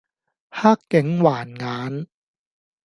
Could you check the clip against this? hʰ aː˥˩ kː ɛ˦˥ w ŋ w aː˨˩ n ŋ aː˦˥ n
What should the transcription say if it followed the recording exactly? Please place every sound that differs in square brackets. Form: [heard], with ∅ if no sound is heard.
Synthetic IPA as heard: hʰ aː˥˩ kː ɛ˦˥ [∅] ŋ w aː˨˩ n ŋ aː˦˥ n

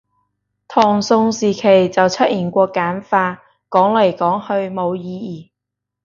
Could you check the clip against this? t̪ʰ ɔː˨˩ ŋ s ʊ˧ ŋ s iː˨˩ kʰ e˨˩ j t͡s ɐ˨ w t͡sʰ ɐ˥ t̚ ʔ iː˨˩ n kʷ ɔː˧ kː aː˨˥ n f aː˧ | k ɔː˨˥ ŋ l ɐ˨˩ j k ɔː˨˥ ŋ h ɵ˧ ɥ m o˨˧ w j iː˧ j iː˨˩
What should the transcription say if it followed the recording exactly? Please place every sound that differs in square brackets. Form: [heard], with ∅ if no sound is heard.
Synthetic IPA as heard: t̪ʰ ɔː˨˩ ŋ s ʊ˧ ŋ s iː˨˩ kʰ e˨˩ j t͡s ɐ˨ w t͡sʰ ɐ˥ t̚ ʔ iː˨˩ n kʷ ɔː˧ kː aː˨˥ n f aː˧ | k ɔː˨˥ ŋ l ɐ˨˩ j k ɔː˨˥ ŋ h ɵ˧ ɥ m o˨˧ w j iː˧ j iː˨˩

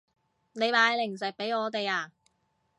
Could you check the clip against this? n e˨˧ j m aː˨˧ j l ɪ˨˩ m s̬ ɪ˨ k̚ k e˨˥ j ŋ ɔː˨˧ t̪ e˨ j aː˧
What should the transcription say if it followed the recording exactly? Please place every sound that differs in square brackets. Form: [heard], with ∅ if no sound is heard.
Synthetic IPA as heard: n e˨˧ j m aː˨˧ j l ɪ˨˩ [ŋ] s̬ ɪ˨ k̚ [p] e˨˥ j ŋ ɔː˨˧ t̪ e˨ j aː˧

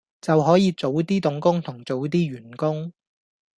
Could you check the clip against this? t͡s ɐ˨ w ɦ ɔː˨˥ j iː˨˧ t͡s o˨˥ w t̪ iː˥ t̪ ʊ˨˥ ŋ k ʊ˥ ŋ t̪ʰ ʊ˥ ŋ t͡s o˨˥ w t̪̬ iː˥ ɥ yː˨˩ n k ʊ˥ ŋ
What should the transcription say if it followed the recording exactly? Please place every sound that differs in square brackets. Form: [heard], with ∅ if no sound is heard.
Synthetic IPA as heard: t͡s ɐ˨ w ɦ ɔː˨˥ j iː˨˧ t͡s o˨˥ w t̪ iː˥ t̪ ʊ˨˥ ŋ k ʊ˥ ŋ t̪ʰ [ʊ˨˩] ŋ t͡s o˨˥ w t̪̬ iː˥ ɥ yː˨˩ n k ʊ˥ ŋ

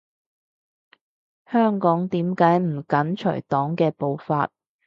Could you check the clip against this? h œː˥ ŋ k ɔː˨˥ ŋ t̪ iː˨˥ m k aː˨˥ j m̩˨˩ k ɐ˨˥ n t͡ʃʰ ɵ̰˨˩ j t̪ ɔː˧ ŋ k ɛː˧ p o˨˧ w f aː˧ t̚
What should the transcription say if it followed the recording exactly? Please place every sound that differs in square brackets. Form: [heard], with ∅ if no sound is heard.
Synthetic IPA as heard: h œː˥ ŋ k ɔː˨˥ ŋ t̪ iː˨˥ m k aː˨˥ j m̩˨˩ k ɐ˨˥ n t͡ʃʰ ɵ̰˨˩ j t̪ [ɔː˨˥] ŋ k ɛː˧ p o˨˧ w f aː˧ t̚

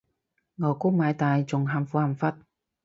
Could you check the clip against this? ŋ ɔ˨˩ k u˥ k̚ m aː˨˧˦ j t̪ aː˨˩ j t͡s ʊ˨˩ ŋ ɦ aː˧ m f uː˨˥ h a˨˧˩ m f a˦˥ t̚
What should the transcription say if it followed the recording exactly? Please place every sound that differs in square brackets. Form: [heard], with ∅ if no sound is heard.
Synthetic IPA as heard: ŋ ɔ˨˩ k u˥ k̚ m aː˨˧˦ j t̪ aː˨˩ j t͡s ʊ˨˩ ŋ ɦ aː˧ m f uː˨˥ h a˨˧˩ m f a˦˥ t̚

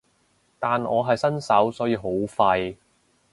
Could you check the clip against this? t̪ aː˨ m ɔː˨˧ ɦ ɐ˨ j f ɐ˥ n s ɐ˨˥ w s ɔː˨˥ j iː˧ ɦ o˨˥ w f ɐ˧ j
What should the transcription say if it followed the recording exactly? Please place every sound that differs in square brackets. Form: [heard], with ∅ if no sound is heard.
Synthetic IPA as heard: t̪ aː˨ [n] ɔː˨˧ ɦ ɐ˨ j [s] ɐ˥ n s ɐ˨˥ w s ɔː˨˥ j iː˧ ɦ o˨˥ w f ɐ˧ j

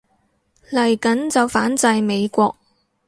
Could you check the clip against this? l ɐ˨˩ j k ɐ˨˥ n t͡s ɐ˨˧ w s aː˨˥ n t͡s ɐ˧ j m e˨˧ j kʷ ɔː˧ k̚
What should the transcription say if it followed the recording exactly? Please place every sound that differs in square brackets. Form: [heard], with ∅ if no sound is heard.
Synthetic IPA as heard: l ɐ˨˩ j k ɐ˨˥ n t͡s ɐ˨˧ w [f] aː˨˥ n t͡s ɐ˧ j m e˨˧ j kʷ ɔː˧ k̚

